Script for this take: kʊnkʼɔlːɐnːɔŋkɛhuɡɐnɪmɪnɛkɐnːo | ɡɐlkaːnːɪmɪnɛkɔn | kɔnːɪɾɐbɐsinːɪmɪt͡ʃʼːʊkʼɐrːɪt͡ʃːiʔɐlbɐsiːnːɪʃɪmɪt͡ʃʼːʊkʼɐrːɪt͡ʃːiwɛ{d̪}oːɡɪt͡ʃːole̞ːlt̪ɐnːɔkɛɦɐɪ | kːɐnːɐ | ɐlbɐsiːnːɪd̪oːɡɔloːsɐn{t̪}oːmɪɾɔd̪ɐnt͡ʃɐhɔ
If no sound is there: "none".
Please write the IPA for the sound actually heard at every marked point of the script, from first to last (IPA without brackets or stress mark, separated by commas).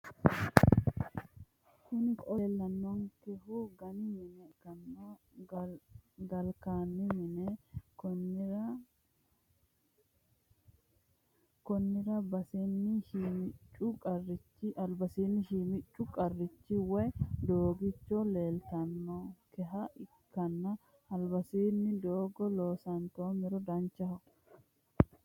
d̪, t̪